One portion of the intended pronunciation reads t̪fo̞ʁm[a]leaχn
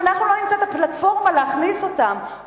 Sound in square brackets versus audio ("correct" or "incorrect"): correct